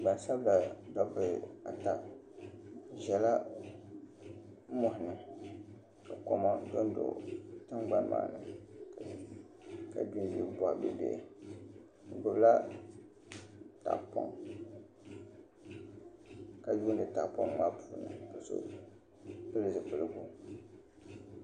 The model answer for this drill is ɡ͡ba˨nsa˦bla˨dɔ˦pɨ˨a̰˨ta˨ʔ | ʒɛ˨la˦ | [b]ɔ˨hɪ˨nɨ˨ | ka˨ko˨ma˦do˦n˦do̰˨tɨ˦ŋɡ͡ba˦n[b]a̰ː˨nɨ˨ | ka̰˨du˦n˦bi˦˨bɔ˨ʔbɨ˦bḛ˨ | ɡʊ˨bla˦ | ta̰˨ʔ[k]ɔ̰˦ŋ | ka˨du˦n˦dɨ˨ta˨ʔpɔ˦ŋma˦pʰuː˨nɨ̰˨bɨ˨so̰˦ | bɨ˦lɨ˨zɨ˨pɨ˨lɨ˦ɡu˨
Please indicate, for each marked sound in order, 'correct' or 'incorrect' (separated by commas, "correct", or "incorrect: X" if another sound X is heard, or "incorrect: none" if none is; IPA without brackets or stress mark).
incorrect: m, incorrect: m, incorrect: p